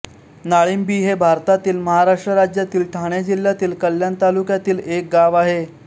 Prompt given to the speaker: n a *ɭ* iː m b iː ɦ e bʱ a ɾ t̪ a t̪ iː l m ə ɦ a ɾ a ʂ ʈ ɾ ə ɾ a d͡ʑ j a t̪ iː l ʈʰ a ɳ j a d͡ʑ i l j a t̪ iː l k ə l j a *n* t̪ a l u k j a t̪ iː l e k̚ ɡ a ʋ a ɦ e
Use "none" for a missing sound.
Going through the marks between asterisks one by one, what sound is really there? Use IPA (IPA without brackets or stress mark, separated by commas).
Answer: ɭ, n